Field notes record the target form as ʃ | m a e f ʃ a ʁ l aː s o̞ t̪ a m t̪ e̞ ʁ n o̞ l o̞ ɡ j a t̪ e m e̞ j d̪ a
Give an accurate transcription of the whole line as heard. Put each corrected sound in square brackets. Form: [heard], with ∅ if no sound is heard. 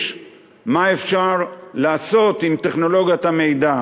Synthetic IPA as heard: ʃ | m a e f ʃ a ʁ l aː s o̞ t̪ [i] m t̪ e̞ [χ] n o̞ l o̞ ɡ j a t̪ [a] m e̞ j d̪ a

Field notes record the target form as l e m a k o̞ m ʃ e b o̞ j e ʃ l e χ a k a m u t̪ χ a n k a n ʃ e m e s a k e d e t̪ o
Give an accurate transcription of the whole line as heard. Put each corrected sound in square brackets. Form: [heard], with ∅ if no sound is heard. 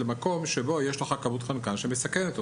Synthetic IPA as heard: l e m a k o̞ m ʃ e b o̞ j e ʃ l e χ a k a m u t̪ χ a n k a n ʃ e m e s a k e [n] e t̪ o

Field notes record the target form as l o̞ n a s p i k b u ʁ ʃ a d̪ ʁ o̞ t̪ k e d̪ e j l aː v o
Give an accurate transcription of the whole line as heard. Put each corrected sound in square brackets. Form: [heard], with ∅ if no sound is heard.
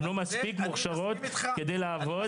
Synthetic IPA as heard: l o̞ [m] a s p i k [m] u [χ] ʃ a [∅] ʁ o̞ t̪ k e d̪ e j l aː v o

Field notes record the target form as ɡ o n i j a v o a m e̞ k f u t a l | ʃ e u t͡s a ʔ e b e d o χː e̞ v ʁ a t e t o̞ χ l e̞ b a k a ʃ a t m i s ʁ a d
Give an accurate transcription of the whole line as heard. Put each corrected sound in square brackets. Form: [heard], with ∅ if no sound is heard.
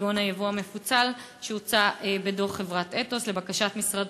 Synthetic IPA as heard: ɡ o n [a] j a v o a m e̞ [∅] f u [t͡s] a l | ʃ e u t͡s a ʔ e b e d o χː e̞ v ʁ a t e t o̞ [s] l e̞ b a k a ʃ a t m i s ʁ a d

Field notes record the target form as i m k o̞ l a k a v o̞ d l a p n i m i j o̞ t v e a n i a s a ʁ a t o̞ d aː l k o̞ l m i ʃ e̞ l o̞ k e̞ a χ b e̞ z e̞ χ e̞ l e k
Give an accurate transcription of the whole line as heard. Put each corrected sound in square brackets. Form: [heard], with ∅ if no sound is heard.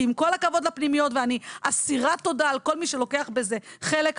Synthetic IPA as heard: i m k o̞ l a k a v o̞ d l a p n i m i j o̞ t v e a n i a s [i] ʁ a t o̞ d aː l k o̞ l m i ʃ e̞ l o̞ k e̞ a χ b e̞ z e̞ χ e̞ l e k

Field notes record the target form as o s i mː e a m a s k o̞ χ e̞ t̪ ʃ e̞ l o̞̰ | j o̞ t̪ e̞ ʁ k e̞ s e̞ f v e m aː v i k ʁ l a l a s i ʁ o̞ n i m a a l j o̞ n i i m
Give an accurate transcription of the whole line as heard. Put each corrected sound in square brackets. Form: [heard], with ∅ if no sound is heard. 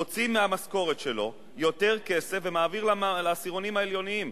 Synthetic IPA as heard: o [t͡s] i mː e a m a s k o̞ [ʁ] e̞ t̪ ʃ e̞ l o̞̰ | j o̞ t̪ e̞ ʁ k e̞ s e̞ f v e m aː v i [∅] ʁ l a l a s i ʁ o̞ n i m a [e] l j o̞ n i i m

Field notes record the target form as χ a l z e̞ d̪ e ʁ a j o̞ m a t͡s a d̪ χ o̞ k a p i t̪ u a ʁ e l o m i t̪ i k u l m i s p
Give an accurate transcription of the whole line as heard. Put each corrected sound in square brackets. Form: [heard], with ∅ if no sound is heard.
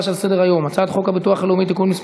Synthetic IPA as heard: [ʃ] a l [s] e̞ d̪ e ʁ a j o̞ m a t͡s a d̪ χ o̞ k a [b] i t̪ u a [χ] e l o m i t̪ i k u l m i s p

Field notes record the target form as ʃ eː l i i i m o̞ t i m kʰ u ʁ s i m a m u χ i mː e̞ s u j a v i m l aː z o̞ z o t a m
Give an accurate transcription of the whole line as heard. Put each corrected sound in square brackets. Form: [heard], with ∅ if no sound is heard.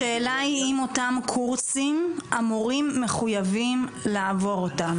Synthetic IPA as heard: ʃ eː l [a] i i m o̞ t [a] m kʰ u ʁ s i m a m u [ʁ] i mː e̞ [χ] u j a v i m l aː [v] o̞ [ʁ] o t a m

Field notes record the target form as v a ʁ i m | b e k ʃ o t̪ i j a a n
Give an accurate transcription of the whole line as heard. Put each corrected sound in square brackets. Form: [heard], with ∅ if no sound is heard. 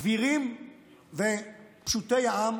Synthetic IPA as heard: v [i] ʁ i m | [v] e [p] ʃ [u] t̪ [e] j a a [m]

